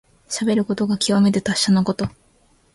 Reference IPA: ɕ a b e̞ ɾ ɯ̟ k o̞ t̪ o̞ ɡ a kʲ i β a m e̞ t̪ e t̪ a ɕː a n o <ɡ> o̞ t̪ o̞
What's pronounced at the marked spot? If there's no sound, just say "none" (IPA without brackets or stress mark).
k